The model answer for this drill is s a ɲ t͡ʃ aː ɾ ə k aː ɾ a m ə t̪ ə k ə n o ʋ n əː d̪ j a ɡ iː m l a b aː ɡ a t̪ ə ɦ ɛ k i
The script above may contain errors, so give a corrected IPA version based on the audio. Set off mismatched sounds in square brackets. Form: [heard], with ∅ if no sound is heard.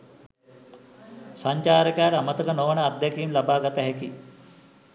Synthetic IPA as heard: s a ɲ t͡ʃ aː ɾ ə k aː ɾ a m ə t̪ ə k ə n o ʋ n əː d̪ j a [k] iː m l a b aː ɡ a t̪ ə ɦ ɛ k i